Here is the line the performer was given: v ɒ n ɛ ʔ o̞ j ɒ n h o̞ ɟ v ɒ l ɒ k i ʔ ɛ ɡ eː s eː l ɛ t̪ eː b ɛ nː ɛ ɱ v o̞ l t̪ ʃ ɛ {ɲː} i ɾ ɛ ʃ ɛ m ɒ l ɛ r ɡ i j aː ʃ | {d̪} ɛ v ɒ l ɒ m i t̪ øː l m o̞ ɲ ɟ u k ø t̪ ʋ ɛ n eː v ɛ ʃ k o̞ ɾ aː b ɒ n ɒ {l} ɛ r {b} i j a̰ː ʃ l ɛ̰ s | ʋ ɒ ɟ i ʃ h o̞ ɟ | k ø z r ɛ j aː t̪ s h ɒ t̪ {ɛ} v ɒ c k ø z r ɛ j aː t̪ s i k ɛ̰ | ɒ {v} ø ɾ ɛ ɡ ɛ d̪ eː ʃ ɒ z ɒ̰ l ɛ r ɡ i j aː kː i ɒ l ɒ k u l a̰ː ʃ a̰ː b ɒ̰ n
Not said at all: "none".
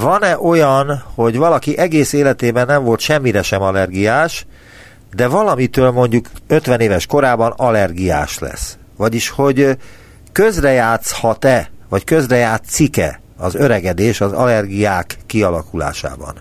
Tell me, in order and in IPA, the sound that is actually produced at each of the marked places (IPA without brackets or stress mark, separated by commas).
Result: mː, d̪, l, ɡ, ɛ, z